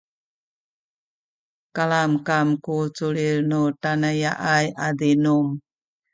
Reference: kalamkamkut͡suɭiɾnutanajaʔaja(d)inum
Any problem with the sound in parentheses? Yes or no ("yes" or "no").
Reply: no